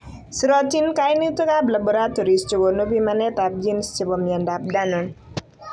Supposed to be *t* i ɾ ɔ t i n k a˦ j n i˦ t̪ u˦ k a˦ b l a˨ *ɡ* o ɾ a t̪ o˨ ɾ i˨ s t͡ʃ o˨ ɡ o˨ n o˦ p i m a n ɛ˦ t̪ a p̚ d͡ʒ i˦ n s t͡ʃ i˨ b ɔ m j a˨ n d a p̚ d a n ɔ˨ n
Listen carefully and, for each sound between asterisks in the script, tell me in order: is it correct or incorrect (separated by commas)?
incorrect, incorrect